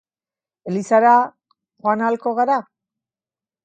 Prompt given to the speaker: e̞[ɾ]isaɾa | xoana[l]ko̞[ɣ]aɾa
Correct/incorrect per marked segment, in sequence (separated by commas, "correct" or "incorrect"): incorrect, correct, correct